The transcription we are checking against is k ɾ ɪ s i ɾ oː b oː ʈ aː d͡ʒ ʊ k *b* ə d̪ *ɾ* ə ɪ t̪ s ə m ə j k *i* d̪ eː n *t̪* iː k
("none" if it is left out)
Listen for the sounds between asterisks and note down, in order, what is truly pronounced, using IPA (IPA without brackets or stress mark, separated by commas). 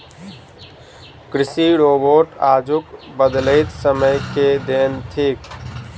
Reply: b, l, e, t̪ʰ